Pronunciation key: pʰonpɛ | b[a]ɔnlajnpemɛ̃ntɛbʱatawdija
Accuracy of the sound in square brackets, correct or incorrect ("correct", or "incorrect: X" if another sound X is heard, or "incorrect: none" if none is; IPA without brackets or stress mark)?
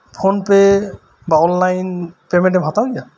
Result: correct